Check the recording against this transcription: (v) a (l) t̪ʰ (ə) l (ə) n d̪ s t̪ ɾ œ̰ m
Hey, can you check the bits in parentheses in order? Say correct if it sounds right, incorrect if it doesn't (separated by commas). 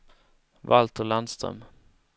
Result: correct, correct, correct, incorrect